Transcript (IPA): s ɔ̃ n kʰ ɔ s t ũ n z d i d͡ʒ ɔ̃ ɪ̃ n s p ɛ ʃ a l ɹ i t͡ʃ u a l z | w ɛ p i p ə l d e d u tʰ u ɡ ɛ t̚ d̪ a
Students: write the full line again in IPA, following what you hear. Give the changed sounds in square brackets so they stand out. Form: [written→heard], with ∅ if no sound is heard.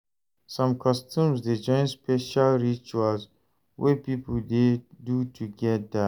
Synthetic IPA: s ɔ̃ [n→m] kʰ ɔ s t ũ [n→m] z d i d͡ʒ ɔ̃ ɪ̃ n s p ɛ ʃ a l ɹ i t͡ʃ u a l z | w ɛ p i p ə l d e d u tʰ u ɡ ɛ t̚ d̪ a